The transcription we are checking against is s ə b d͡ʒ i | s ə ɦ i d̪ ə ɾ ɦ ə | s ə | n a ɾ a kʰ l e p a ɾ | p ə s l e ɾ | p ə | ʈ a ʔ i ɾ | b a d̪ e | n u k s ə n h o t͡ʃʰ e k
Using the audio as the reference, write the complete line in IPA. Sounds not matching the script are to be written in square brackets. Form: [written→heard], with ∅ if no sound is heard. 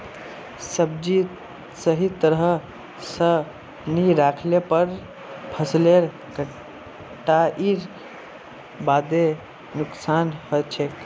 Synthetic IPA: s ə b d͡ʒ i | s ə ɦ i [d̪→t̪] ə ɾ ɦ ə | s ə | n [a→i] ɾ a kʰ l e p [a→ə] ɾ | [p→pʰ] ə s l e ɾ | [p→k] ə | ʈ a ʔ i ɾ | b a d̪ e | n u k s [ə→a] n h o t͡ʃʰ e k